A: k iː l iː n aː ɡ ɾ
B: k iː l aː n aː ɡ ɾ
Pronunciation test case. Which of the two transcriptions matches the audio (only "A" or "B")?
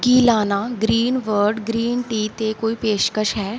B